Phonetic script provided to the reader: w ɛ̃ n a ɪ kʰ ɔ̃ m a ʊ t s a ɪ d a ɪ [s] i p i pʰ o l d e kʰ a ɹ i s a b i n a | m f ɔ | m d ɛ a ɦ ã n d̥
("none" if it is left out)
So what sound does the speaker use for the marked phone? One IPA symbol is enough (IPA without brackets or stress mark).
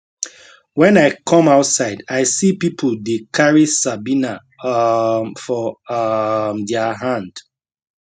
s